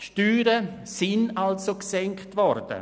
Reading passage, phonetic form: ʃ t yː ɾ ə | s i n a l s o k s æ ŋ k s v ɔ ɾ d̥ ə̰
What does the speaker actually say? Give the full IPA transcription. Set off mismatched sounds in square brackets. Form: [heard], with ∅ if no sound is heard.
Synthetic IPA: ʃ t yː ɾ ə | s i n a l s o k s [ɛ] ŋ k [t] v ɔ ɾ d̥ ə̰